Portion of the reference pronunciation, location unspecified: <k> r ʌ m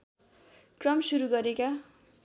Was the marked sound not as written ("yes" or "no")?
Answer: no